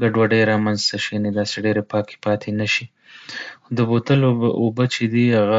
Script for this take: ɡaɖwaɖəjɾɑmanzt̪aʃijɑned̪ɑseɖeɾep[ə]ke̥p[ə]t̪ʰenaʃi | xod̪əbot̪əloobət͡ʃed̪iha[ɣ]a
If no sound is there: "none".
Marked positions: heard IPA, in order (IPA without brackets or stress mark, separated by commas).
ɑ, ɑ, ɣ